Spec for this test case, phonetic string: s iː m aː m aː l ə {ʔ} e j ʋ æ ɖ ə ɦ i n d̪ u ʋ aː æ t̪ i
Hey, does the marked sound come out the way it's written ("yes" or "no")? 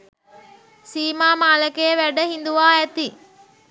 no